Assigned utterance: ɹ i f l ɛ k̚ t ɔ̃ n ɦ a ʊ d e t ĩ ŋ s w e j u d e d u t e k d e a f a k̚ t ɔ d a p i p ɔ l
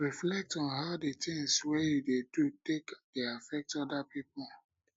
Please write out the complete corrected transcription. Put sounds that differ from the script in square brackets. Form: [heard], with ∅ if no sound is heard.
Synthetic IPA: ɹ i f l ɛ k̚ t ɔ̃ n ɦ a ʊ d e t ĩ ŋ s w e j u d e d u t e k d e a f [ɛ] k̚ t ɔ d a p i p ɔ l